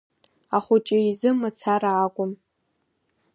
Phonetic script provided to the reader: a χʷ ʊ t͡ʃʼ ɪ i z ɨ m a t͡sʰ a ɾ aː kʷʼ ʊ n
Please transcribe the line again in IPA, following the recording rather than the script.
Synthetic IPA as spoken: a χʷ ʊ t͡ʃʼ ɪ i z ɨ m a t͡sʰ a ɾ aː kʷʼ ʊ m

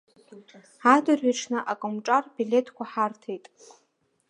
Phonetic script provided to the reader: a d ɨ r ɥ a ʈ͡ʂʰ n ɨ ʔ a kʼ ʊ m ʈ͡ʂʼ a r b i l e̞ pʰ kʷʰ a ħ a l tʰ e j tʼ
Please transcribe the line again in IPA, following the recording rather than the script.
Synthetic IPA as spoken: a d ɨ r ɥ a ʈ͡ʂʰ n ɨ ʔ a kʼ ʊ m ʈ͡ʂʼ a r b i l e̞ tʰ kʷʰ a ħ a r tʰ e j tʼ

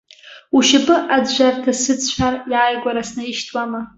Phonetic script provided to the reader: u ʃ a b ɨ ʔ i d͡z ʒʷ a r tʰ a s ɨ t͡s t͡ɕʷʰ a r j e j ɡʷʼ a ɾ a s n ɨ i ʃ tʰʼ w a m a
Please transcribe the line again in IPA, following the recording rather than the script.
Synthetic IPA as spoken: u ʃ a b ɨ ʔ a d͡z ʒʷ a r tʰ a s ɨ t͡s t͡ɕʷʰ a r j a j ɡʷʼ a ɾ a s n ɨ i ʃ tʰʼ w a m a

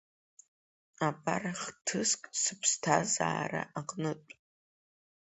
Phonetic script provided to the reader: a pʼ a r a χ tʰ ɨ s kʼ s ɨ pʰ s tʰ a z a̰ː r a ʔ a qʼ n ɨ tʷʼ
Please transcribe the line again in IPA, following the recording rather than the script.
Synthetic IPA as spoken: a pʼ a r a χ tʰ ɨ s kʼ s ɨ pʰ s tʰ a z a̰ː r a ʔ a qʼ n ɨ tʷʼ

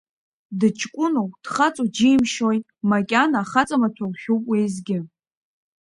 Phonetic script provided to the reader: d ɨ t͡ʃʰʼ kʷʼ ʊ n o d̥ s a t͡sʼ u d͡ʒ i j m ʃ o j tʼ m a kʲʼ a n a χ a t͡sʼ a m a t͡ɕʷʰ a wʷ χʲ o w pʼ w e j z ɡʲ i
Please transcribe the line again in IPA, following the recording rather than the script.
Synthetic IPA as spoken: d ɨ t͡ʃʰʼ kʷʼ ʊ n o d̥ χ a t͡sʼ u d͡ʒ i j m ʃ o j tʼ m a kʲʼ a n a χ a t͡sʼ a m a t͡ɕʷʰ a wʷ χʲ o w pʼ w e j z ɡʲ ɪ

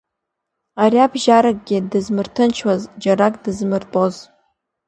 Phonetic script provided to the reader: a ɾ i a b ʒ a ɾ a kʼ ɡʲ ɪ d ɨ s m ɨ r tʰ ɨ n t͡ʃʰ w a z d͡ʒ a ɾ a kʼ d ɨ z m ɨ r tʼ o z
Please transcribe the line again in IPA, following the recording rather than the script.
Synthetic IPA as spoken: a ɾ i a b ʒ a ɾ a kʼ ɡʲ ɪ d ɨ z m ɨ r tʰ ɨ n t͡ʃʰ w a z d͡ʒ a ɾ a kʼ d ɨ z m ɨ r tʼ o z

